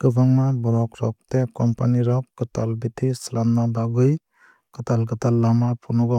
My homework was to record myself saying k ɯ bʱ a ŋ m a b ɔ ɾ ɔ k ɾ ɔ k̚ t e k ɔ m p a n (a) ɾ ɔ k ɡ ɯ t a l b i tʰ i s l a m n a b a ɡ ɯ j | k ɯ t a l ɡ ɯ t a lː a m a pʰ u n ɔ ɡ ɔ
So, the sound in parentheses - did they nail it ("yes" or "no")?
no